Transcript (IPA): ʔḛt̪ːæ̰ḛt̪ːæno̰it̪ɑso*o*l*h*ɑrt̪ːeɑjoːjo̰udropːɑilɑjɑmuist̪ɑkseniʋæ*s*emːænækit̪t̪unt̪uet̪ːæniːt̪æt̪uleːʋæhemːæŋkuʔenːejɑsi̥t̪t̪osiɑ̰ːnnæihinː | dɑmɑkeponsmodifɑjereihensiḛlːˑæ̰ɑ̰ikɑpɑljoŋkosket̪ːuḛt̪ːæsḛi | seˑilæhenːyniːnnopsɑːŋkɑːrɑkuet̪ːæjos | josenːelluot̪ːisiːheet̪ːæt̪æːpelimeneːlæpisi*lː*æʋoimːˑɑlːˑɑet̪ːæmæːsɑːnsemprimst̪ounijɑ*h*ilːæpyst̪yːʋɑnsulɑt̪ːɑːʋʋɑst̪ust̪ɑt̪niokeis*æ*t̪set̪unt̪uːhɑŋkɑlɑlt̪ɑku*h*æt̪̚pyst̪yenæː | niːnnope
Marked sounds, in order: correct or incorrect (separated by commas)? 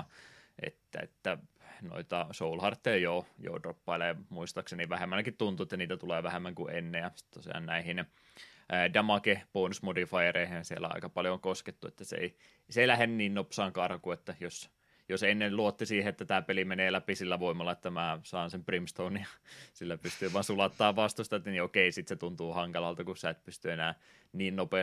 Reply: incorrect, correct, incorrect, correct, incorrect, incorrect, incorrect